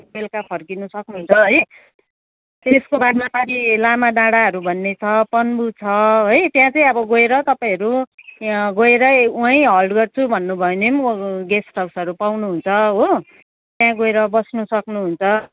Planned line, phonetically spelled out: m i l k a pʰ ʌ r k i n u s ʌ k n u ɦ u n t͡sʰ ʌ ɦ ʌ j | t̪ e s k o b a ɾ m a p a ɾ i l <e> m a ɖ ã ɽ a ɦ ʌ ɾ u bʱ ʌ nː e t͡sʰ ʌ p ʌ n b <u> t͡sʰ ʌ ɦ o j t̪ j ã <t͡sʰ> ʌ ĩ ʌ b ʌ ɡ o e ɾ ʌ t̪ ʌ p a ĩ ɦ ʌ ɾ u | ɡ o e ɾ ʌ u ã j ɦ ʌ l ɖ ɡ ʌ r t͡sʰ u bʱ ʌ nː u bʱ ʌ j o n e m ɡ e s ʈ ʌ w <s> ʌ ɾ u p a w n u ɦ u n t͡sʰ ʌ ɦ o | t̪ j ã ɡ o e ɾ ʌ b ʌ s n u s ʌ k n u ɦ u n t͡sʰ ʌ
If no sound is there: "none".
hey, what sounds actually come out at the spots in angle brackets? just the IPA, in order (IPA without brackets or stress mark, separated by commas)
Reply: a, u, t͡s, s